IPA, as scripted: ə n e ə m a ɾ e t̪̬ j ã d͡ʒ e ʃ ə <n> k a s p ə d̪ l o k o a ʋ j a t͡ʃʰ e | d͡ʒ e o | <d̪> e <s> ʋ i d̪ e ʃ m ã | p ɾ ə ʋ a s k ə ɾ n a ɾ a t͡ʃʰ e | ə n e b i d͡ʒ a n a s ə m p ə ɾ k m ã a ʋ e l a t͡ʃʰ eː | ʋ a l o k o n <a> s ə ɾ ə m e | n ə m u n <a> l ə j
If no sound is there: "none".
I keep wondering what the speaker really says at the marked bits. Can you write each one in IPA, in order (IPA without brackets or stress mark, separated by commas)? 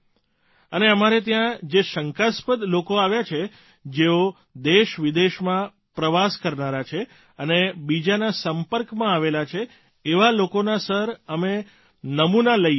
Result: ŋ, d̪, ʃ, a, a